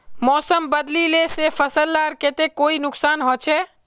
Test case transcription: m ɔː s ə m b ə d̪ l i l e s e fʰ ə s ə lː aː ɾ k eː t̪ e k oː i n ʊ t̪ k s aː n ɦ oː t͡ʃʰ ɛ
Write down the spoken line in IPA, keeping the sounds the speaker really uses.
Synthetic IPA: m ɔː s ə m b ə d̪ l i l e s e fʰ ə s ə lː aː ɾ k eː t̪ e k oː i n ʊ k s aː n ɦ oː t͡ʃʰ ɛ